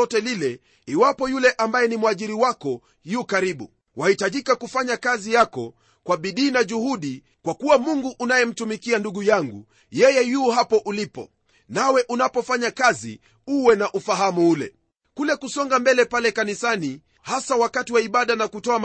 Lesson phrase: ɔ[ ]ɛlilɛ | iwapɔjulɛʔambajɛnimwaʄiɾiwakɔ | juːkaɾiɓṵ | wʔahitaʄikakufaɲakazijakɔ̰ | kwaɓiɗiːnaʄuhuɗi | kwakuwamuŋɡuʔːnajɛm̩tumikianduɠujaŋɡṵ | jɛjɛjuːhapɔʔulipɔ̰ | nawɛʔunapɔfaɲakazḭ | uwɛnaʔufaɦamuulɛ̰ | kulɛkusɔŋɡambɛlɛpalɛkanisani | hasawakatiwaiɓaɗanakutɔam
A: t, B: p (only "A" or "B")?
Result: A